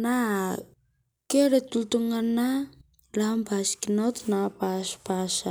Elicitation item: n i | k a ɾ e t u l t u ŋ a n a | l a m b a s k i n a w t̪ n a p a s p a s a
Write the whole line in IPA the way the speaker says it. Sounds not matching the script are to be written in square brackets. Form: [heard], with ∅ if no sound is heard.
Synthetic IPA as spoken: n [a] | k [e] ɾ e t u l t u ŋ a n a | l a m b a s k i n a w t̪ n a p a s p a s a